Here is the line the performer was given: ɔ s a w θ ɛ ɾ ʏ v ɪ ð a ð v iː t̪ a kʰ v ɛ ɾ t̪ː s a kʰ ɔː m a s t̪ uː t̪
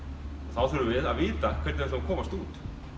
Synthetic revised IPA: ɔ θ a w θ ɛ ɾ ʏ v ɪ ð a ð v iː t̪ a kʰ v ɛ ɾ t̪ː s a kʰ ɔː m a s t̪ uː t̪